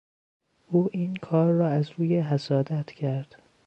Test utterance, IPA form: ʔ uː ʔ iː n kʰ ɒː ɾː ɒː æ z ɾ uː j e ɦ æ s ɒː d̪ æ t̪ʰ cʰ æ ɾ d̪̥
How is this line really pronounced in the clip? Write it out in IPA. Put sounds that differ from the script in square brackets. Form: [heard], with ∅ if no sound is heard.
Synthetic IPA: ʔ uː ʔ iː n kʰ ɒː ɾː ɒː æ z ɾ uː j e ɦ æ s ɒː d̪ æ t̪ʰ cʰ æ ɾ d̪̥